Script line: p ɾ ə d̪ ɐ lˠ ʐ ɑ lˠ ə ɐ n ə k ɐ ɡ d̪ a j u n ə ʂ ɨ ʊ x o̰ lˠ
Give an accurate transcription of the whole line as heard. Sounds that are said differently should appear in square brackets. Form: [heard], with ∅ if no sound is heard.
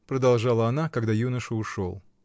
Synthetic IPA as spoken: p ɾ ə d̪ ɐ lˠ ʐ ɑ lˠ ə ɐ n [a] k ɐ ɡ d̪ a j u n ə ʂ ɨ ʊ [ʂ] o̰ lˠ